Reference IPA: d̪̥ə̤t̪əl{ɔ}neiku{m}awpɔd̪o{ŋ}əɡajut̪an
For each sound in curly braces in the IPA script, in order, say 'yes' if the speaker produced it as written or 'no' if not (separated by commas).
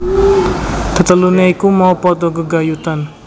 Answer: no, yes, no